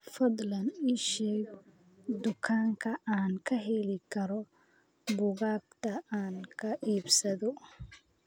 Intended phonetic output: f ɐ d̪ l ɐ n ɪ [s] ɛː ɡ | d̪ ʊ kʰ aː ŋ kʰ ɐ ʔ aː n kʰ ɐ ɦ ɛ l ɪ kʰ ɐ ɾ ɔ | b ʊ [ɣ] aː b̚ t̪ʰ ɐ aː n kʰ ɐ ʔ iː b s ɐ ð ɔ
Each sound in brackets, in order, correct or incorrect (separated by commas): incorrect, correct